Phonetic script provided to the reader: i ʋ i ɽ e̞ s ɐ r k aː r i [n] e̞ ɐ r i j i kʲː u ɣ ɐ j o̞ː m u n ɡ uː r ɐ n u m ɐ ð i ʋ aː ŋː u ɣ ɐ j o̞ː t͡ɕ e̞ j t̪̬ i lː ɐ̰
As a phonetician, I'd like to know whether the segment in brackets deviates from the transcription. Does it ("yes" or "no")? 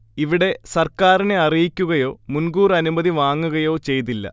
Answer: no